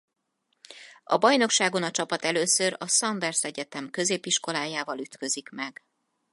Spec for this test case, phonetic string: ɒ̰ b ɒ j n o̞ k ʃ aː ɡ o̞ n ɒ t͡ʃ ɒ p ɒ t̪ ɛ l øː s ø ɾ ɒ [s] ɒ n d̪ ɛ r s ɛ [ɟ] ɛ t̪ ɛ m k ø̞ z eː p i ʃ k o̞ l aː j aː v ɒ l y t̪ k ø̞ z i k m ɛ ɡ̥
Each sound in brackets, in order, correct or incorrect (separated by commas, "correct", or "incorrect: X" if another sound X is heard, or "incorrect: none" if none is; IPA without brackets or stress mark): correct, correct